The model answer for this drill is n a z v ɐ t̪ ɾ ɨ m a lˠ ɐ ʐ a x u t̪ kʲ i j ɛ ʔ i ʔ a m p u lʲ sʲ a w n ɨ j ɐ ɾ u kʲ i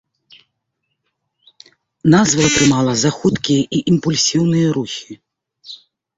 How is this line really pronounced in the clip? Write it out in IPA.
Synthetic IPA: n a z v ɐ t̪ ɾ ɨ m a lˠ ɐ z a x u t̪ kʲ i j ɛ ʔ i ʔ i m p u lʲ sʲ i w n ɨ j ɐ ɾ u xʲ i